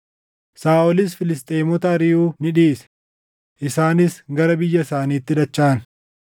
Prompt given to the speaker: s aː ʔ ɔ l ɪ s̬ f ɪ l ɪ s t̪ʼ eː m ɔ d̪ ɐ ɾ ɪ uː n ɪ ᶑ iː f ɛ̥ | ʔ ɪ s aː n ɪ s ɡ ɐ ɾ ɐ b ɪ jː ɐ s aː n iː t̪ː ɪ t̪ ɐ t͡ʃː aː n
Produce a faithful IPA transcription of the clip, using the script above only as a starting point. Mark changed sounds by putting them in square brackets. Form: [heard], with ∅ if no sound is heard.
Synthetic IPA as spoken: s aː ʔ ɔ l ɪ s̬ f ɪ l ɪ s t̪ʼ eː m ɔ [t̪] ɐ ɾ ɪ uː n ɪ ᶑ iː [s] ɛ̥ | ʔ ɪ s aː n ɪ s ɡ ɐ ɾ ɐ b ɪ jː ɐ s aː n iː t̪ː ɪ [d̪] ɐ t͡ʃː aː n